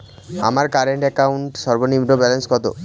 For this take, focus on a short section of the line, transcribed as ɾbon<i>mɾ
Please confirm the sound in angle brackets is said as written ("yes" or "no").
yes